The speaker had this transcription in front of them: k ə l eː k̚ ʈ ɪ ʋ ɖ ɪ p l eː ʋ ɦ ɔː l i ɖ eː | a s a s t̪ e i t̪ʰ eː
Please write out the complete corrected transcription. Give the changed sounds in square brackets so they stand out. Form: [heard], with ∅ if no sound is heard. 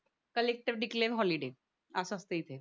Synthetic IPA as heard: k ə l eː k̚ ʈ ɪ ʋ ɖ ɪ [k] l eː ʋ ɦ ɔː l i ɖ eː | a s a s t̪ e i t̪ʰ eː